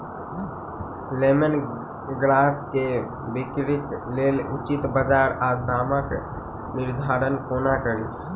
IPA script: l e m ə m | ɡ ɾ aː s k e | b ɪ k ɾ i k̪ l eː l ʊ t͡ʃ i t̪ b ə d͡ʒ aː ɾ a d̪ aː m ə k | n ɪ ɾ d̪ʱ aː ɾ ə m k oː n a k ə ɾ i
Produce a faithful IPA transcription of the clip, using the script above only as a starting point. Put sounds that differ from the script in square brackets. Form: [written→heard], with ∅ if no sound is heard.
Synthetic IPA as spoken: l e m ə [m→n] | ɡ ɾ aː s k e | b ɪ k ɾ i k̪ l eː l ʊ t͡ʃ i t̪ b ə d͡ʒ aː ɾ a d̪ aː m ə k | n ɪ ɾ d̪ʱ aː ɾ ə [m→n] k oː n a k ə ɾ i